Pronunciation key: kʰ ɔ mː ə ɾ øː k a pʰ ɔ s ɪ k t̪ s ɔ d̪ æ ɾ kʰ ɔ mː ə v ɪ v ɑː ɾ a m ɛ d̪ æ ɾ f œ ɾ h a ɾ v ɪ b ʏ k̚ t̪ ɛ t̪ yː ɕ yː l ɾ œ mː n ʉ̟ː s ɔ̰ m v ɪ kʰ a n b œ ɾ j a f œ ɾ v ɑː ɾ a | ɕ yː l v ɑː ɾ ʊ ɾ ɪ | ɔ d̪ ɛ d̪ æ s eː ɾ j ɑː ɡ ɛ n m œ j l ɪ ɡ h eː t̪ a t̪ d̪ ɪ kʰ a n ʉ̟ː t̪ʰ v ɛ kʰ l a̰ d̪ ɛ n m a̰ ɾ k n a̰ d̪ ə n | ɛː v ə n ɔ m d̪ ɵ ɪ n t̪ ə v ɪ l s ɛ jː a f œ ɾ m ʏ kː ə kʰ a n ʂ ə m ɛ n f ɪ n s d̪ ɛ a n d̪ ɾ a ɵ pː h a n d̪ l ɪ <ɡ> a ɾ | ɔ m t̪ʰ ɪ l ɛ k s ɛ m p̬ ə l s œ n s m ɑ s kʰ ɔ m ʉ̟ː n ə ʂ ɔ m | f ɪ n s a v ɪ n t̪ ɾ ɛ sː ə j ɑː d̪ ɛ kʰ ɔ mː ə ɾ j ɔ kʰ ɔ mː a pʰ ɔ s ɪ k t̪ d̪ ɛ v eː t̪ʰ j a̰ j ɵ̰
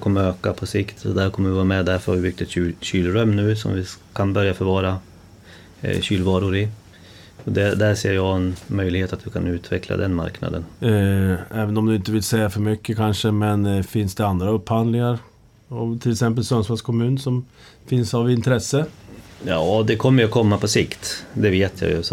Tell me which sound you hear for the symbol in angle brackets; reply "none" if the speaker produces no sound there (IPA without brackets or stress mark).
ŋ